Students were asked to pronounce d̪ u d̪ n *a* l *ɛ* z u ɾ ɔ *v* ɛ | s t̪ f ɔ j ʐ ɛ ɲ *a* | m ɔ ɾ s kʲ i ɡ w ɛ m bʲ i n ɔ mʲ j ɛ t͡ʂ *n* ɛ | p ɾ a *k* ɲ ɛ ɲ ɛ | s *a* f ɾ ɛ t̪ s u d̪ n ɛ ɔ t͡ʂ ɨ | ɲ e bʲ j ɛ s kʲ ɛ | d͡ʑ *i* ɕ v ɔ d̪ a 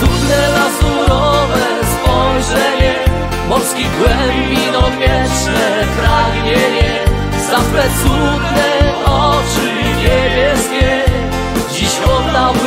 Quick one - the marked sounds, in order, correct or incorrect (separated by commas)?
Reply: incorrect, incorrect, correct, incorrect, correct, incorrect, correct, correct